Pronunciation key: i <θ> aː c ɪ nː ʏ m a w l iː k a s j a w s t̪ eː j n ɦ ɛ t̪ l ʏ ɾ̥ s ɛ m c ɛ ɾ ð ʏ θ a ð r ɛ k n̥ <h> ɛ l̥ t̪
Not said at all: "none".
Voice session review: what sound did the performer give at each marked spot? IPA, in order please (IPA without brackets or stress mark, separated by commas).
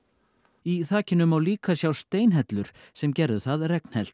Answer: θ, h